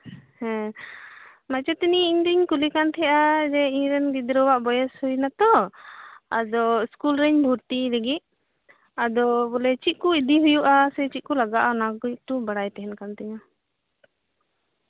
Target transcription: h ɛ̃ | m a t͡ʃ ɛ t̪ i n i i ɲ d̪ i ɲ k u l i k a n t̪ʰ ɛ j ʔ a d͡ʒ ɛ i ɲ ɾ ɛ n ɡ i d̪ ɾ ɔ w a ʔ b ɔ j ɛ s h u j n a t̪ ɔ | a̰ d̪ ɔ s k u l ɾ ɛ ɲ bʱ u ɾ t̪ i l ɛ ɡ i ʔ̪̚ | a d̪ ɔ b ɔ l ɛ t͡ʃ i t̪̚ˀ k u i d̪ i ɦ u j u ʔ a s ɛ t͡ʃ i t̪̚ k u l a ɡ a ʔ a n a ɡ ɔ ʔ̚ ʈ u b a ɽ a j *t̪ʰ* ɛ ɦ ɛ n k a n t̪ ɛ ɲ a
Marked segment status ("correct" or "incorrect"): incorrect